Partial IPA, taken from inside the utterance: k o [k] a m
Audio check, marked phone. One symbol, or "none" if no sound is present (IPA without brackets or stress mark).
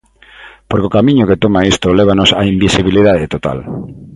k